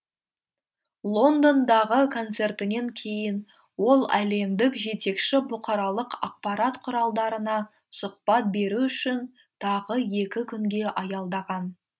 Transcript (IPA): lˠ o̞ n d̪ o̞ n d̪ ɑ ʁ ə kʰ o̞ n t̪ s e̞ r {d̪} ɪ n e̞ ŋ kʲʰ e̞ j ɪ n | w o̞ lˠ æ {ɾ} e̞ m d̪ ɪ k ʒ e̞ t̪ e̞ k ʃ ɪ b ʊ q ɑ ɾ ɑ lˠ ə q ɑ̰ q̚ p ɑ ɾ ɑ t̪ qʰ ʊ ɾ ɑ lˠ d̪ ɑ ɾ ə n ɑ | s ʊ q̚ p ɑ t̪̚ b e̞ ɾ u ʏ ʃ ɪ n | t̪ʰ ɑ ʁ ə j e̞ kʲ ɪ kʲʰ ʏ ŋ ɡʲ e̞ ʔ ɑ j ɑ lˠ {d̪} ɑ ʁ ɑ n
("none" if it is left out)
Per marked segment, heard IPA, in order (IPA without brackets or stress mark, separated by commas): t̪, l, d̪